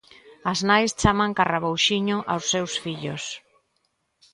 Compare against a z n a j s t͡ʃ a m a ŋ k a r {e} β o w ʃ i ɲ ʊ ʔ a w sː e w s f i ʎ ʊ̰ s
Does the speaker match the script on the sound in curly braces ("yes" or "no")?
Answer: no